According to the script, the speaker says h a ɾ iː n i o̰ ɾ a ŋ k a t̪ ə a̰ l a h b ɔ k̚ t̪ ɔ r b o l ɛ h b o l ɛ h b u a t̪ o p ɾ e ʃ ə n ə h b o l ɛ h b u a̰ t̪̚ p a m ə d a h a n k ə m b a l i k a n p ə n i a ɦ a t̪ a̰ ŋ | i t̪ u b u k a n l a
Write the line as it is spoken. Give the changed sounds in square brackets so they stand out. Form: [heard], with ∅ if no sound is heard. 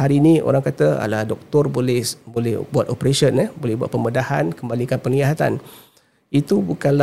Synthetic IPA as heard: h a ɾ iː n i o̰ ɾ a ŋ k a t̪ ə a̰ l a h [d] ɔ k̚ t̪ ɔ r b o l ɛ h b o l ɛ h b u a t̪ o p ɾ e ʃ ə n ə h b o l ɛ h b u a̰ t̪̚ p [ə] m ə d a h a n k ə m b a l i k a n p ə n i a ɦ a t̪ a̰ [n] | i t̪ u b u k a n l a